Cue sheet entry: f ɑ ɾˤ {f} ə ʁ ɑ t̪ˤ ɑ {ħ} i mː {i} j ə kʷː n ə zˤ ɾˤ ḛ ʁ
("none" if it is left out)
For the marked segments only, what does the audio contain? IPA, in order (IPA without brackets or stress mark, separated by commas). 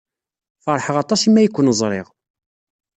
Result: ħ, s, æ